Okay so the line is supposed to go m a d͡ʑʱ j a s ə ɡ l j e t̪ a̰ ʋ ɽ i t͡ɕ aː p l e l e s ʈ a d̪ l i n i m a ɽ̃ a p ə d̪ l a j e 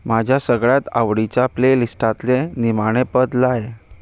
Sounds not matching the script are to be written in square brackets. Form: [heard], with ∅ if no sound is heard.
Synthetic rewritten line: m a d͡ʑʱ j a s ə ɡ [ɭ] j [a] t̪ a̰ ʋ ɽ i t͡ɕ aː p l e l [i] s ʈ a [t̪] l [e] n i m a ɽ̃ [e] p ə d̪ l a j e